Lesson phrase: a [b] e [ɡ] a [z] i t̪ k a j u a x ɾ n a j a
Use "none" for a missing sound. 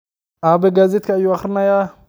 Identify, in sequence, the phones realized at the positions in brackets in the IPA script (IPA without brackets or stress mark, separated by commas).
b, ɡ, z